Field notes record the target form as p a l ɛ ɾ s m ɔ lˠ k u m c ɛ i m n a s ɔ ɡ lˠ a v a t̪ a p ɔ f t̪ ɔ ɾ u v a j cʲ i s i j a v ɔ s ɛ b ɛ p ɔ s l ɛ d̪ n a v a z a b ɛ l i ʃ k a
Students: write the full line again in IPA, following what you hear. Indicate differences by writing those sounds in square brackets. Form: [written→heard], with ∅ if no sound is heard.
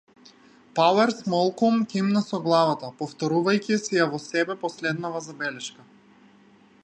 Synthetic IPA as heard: p a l ɛ ɾ s m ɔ lˠ k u m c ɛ i m n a s ɔ ɡ lˠ a v a t̪ a p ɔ f t̪ ɔ ɾ u v a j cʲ i s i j a v ɔ s ɛ b ɛ p ɔ s l ɛ d̪ n a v a z a b ɛ l [i→ɛ] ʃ k a